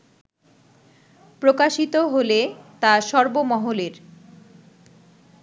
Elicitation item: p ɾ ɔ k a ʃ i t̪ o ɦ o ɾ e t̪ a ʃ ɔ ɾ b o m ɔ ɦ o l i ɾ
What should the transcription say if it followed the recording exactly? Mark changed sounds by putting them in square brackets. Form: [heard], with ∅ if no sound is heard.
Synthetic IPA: p ɾ [o] k a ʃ i t̪ o ɦ o [l] e t̪ a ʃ ɔ ɾ b o m ɔ ɦ o l [e] ɾ

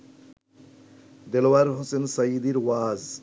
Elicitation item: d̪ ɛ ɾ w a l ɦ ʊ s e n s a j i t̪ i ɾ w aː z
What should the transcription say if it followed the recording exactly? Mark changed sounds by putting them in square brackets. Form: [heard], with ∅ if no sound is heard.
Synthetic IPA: d̪ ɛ [l] w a [ɾ] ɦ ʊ s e n s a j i [d̪] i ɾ w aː z

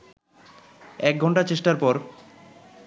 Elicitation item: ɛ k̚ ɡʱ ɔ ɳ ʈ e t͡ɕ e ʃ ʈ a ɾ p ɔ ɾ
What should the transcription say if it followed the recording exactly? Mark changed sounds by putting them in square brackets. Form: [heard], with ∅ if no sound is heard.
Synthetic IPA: ɛ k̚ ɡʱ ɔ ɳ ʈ [a] t͡ɕ e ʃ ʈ a ɾ p ɔ ɾ

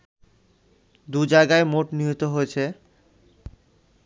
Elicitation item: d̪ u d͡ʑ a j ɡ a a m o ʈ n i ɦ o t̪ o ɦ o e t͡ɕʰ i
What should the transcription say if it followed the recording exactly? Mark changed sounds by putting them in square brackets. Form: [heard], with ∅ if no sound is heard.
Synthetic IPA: d̪ u d͡ʑ a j ɡ a [e] m o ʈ n i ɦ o t̪ o ɦ o e t͡ɕʰ [e]

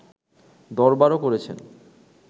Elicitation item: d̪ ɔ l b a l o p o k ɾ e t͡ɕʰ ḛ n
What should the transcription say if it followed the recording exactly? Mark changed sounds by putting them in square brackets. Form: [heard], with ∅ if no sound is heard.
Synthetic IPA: d̪ ɔ [ɾ] b a [ɾ] o [k] o [∅] ɾ e t͡ɕʰ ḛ n

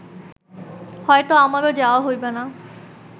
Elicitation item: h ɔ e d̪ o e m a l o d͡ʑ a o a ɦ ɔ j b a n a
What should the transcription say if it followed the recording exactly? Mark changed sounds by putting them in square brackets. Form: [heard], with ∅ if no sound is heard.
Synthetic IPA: h ɔ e [t̪] o [a] m a [ɾ] o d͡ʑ a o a ɦ [o] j b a n a

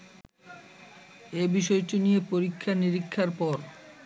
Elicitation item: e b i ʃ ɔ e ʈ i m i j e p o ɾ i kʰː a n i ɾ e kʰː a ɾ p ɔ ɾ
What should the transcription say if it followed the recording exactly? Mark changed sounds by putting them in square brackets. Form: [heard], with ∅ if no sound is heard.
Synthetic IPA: e b i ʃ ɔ e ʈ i [n] i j e p o ɾ i kʰː a n i ɾ [i] kʰː a ɾ p ɔ ɾ

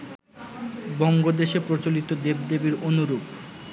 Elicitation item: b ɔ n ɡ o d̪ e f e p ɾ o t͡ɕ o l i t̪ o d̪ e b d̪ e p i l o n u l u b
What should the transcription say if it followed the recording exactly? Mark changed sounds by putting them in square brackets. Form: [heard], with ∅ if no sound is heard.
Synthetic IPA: b ɔ [ŋ] ɡ o d̪ e [ʃ] e p ɾ o t͡ɕ o l i t̪ o d̪ e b d̪ e [b] i [ɾ] o n u [ɾ] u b

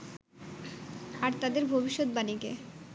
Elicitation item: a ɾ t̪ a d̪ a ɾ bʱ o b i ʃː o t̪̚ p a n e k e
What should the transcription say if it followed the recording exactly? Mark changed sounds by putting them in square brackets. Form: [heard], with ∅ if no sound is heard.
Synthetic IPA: a ɾ t̪ a d̪ [e] ɾ bʱ o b i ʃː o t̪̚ [b] a n [i] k e

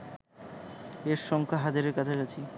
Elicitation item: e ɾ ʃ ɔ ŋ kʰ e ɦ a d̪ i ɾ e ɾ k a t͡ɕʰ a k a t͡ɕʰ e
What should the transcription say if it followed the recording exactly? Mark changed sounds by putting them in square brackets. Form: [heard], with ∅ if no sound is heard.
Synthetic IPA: e ɾ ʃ ɔ ŋ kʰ [a] ɦ a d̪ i ɾ e ɾ k a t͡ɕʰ a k a t͡ɕʰ [i]

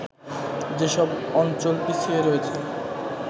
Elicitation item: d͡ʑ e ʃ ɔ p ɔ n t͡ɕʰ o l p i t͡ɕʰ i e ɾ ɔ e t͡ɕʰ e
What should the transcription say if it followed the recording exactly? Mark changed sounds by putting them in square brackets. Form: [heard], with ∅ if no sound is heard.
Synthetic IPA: d͡ʑ e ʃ ɔ [b] ɔ n [t͡ɕ] o l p i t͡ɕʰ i e ɾ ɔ e t͡ɕʰ e

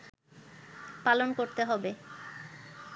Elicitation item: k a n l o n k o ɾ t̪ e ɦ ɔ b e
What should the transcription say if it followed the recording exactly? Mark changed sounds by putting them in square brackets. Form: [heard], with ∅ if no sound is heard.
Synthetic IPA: [p] a [∅] l o n k o ɾ t̪ e ɦ ɔ b e

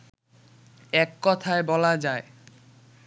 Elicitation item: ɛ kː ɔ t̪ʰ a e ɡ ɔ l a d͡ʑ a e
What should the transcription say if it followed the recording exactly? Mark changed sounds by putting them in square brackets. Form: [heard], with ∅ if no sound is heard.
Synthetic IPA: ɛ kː ɔ t̪ʰ a e [b] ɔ l a d͡ʑ a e

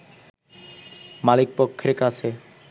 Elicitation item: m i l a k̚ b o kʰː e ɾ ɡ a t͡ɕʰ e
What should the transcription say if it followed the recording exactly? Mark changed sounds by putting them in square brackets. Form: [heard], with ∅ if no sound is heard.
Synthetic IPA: m [a] l [i] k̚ [p] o kʰː e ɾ [k] a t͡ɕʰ e

